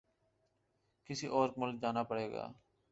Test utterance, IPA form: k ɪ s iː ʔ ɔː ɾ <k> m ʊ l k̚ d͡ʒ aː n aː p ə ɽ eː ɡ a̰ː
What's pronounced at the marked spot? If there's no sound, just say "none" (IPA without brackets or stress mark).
k